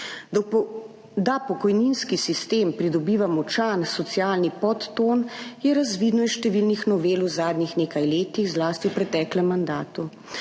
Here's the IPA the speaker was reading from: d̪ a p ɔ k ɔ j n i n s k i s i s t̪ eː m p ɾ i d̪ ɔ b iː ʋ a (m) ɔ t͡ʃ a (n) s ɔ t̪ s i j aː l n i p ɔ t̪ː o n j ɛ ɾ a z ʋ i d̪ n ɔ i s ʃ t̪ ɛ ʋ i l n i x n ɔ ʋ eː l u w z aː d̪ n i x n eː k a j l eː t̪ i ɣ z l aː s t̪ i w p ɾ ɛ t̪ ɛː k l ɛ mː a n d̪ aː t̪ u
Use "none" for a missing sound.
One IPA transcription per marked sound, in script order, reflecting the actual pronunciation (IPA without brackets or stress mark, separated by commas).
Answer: m, n